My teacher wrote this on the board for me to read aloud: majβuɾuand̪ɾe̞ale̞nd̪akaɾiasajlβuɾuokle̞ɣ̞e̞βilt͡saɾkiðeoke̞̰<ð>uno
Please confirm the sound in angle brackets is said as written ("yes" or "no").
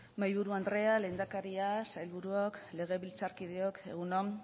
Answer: no